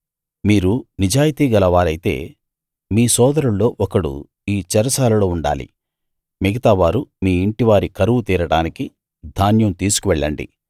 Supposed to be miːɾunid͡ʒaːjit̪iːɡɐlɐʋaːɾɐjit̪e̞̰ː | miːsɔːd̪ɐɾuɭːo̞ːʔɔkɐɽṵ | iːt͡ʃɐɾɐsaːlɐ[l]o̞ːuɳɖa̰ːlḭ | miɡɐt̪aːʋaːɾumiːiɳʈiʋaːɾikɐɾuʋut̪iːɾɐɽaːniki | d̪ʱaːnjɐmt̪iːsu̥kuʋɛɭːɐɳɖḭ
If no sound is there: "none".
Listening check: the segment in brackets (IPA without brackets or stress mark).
l